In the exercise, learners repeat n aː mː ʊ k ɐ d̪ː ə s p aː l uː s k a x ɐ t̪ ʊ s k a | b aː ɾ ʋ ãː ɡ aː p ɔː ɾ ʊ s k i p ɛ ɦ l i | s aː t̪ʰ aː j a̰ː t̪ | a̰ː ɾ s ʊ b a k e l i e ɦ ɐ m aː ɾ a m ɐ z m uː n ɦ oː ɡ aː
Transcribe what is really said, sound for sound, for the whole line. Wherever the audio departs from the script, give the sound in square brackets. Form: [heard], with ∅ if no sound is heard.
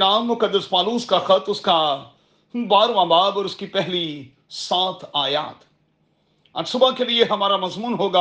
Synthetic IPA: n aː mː ʊ k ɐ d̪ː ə s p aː l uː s k a x ɐ t̪ ʊ s k a | b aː ɾ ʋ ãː [b] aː [b] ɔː ɾ ʊ s k i p ɛ ɦ l i | s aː t̪ʰ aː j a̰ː t̪ | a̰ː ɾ s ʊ b a k e l i e ɦ ɐ m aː ɾ a m ɐ z m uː n ɦ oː ɡ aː